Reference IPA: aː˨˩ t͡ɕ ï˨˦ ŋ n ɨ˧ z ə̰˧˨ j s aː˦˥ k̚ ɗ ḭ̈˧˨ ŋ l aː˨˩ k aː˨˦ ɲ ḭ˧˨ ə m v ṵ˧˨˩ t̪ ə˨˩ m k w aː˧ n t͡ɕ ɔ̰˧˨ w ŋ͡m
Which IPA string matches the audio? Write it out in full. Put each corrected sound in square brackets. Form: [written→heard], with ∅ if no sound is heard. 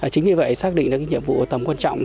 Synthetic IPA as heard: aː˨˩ t͡ɕ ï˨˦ ŋ [n→ɲ] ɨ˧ [z→v] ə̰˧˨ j s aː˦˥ k̚ ɗ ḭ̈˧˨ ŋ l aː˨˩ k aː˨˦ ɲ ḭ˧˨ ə m v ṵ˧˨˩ t̪ ə˨˩ m k w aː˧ n t͡ɕ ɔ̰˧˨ w ŋ͡m